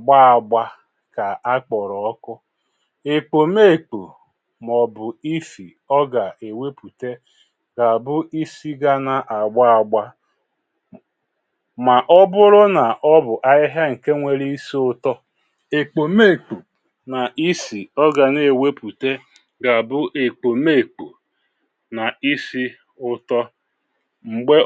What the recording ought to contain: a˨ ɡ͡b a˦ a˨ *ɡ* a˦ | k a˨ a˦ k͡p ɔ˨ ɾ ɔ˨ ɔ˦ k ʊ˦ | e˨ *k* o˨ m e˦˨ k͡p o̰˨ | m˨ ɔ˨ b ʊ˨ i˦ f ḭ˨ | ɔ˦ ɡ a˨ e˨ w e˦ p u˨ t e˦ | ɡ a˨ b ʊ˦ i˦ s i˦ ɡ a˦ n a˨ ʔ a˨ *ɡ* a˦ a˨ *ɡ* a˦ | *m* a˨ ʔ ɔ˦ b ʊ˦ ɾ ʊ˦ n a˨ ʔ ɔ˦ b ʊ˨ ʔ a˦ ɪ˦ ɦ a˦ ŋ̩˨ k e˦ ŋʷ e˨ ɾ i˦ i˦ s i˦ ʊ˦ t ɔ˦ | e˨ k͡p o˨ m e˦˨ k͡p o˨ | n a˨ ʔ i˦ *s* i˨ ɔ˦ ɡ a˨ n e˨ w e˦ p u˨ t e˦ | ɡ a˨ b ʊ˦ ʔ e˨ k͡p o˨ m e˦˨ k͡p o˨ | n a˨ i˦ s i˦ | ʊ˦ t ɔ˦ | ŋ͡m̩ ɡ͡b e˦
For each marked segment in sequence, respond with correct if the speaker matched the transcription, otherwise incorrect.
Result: incorrect, incorrect, incorrect, incorrect, correct, correct

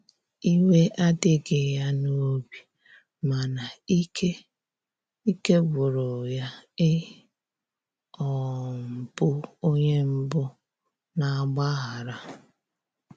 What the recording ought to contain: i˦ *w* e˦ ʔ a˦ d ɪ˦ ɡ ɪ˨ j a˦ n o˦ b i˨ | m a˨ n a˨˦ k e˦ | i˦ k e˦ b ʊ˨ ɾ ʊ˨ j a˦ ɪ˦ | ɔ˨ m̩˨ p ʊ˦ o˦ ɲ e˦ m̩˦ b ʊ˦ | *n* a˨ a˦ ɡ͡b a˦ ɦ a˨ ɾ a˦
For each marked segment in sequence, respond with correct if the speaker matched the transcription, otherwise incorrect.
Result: correct, correct

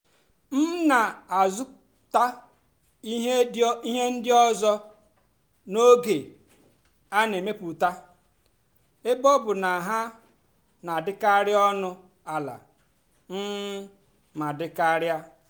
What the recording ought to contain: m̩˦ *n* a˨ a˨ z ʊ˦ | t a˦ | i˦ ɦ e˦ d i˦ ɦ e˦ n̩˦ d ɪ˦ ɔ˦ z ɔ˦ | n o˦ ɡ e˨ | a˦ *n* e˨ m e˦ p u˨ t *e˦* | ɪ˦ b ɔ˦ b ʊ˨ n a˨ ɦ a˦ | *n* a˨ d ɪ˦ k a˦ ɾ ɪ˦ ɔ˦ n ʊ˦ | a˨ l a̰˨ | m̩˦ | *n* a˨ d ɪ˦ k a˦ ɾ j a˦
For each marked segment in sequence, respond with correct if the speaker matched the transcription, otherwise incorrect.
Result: correct, correct, incorrect, correct, incorrect

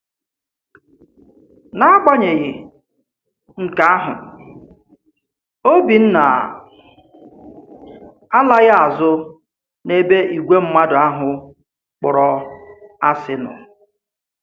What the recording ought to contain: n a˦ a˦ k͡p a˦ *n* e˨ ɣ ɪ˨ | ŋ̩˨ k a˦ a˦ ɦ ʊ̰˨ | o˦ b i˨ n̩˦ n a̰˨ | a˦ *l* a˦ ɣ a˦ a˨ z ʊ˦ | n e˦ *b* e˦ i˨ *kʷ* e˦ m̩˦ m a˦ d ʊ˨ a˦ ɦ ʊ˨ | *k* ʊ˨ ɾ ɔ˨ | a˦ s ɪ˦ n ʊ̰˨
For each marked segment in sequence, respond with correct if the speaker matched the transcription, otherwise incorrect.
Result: incorrect, correct, correct, incorrect, incorrect

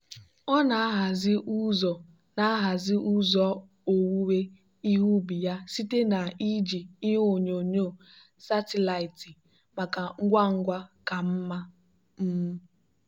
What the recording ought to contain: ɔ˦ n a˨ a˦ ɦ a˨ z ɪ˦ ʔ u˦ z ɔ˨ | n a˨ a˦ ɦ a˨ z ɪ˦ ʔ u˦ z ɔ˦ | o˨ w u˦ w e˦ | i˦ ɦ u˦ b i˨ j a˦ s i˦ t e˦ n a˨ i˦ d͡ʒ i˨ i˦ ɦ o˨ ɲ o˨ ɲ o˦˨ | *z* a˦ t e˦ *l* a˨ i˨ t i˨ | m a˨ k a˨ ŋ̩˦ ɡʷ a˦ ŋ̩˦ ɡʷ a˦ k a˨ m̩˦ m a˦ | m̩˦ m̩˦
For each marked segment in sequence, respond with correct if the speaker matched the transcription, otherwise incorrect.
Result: incorrect, correct

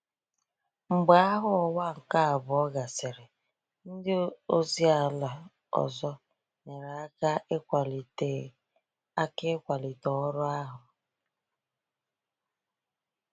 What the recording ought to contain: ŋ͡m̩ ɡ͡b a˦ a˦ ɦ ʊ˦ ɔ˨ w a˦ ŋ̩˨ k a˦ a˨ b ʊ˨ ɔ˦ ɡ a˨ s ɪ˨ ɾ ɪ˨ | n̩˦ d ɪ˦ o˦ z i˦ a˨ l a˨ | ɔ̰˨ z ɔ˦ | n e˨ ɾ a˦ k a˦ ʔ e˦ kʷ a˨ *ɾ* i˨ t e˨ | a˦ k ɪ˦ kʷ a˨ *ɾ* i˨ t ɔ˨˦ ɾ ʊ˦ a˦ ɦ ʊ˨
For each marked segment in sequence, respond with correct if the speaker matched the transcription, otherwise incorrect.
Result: incorrect, incorrect

